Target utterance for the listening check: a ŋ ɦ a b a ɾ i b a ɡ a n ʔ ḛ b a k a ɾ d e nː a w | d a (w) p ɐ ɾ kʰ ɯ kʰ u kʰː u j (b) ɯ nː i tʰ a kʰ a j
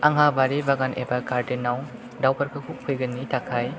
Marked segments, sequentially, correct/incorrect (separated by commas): correct, incorrect